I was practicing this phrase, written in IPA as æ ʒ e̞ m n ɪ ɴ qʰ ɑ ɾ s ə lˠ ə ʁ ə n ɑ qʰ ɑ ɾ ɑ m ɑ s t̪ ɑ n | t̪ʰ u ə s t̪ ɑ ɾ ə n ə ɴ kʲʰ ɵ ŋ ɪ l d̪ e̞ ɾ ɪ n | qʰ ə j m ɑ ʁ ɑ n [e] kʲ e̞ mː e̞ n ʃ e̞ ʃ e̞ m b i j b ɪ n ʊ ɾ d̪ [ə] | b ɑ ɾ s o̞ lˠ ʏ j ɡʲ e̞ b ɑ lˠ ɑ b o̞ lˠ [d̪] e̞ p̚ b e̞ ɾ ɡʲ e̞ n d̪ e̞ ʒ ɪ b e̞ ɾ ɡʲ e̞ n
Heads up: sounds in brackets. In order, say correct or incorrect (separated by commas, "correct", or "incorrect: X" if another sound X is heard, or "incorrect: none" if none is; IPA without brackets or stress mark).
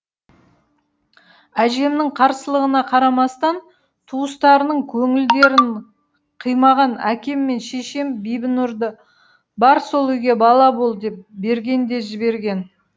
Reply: incorrect: æ, correct, correct